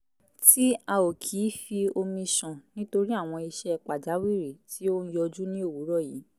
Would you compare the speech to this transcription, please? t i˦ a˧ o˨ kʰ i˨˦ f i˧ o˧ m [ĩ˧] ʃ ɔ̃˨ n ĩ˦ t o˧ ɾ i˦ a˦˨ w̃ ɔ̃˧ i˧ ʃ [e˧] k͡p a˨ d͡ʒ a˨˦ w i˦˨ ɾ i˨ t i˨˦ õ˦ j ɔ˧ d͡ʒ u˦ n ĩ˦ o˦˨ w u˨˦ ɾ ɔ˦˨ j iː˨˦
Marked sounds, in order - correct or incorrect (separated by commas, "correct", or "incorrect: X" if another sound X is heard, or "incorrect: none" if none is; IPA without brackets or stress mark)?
correct, incorrect: ɛ˧